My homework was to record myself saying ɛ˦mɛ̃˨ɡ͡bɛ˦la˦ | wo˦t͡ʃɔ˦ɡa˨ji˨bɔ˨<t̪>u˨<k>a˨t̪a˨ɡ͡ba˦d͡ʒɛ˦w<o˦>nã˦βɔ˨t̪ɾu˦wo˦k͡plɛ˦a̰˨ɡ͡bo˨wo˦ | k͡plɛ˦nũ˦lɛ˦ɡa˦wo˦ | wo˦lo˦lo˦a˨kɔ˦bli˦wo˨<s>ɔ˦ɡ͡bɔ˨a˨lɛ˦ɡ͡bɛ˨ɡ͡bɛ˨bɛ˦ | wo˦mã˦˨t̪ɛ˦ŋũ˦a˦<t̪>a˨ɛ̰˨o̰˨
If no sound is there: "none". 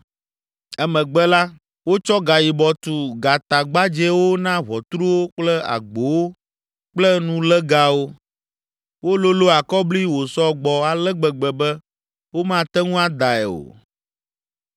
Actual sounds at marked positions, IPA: t̪, ɡ, o˦, s, d̪

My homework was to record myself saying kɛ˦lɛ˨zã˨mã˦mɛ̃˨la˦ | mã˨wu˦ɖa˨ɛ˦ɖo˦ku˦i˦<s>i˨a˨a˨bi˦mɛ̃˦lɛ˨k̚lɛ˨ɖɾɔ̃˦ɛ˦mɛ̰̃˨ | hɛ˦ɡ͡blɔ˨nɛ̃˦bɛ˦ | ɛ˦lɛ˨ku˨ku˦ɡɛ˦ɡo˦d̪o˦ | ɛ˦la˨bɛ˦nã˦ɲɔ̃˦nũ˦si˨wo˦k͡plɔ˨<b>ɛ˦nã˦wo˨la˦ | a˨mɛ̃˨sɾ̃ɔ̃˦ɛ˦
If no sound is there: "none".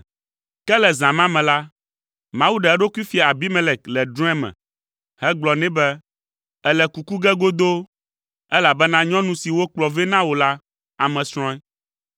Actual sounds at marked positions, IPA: f, v

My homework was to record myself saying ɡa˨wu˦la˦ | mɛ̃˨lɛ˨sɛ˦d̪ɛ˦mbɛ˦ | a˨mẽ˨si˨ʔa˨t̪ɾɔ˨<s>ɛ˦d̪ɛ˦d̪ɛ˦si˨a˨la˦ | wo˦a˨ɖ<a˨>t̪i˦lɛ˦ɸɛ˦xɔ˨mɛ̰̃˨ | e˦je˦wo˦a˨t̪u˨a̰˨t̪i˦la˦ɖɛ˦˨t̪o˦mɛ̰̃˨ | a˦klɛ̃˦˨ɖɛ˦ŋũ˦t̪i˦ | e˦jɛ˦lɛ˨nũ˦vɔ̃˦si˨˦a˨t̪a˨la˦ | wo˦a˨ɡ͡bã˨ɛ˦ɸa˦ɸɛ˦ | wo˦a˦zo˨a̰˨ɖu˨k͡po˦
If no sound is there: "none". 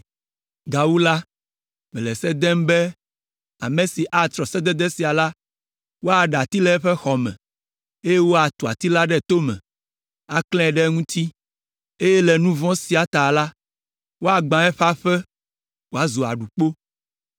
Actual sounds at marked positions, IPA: s, a˨

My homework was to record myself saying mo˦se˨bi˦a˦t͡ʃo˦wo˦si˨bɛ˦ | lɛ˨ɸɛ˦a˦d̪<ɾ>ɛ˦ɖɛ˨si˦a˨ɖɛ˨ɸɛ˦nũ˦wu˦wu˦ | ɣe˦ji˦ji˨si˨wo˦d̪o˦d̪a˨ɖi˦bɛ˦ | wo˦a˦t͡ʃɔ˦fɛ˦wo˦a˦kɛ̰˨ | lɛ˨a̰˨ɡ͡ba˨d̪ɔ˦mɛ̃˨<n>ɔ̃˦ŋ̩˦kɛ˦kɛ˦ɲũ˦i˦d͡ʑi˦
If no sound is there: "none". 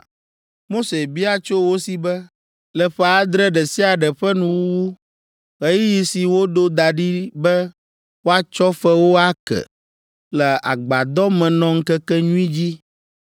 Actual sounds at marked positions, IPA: ɾ, n

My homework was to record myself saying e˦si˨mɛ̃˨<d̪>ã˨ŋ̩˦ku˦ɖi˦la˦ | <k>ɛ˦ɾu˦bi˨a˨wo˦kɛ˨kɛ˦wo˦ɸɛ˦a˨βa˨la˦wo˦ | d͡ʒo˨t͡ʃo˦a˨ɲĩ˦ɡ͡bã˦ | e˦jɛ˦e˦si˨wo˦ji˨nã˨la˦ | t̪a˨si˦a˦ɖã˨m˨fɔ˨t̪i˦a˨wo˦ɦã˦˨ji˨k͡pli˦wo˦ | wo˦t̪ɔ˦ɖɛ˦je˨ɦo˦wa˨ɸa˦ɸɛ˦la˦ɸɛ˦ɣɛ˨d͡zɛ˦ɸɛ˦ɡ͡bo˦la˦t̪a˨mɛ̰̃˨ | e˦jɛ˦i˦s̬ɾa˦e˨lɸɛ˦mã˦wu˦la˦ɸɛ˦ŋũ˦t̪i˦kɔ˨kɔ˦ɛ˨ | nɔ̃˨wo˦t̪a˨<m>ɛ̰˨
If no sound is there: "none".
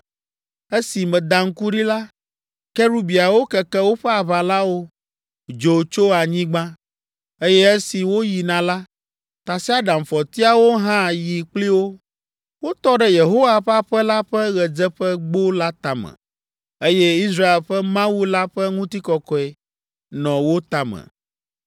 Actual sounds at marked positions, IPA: d̪, k, m

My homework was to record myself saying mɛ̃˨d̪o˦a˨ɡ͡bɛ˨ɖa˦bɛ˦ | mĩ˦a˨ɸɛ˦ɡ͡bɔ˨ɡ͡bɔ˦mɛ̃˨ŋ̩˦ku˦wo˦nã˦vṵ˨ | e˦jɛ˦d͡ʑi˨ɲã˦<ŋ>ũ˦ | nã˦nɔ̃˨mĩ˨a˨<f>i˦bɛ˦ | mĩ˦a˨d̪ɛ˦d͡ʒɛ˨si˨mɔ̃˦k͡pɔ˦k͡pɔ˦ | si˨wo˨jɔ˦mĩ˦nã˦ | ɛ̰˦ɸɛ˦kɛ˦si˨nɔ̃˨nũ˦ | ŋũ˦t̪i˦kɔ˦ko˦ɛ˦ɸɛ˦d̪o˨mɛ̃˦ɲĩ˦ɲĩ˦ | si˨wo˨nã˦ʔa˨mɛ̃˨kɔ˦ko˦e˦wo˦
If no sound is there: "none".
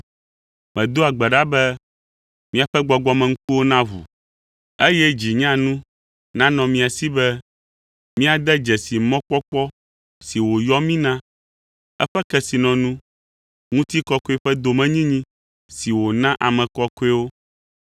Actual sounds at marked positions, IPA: n, s

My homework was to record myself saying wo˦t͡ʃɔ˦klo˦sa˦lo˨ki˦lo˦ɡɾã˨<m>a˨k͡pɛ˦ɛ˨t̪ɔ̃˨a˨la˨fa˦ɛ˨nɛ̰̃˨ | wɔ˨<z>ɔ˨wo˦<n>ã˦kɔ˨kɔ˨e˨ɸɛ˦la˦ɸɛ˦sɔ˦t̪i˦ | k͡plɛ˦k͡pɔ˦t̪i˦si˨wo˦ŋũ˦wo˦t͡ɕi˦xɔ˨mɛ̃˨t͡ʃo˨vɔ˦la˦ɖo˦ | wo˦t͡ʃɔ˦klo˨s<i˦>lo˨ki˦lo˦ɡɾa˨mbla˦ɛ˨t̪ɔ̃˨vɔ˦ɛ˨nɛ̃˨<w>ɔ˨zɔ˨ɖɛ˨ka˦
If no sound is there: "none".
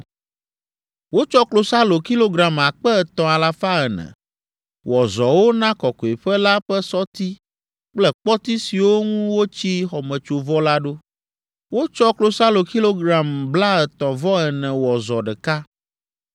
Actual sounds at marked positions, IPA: m, z, n, a˦, w

